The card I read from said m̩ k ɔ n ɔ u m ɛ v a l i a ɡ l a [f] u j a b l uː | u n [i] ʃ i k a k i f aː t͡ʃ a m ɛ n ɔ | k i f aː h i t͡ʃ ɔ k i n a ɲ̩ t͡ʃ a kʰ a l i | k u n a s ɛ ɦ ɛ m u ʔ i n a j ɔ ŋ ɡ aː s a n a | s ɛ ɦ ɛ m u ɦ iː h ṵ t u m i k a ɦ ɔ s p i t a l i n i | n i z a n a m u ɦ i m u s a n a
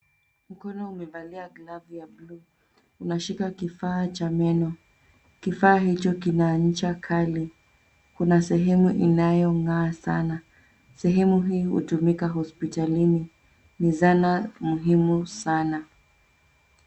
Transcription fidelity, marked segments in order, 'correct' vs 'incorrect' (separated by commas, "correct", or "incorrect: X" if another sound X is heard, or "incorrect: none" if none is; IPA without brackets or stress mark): incorrect: v, incorrect: a